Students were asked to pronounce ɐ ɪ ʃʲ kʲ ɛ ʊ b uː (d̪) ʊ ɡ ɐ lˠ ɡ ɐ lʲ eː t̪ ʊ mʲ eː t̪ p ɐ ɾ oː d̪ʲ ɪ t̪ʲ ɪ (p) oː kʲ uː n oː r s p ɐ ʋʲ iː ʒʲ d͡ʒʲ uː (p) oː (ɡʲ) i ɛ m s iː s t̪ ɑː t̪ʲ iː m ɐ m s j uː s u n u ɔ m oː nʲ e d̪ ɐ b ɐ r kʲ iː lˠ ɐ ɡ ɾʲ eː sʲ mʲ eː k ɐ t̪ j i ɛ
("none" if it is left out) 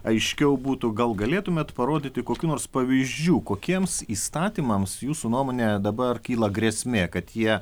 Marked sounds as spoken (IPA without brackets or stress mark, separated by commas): t̪, k, k, kʲ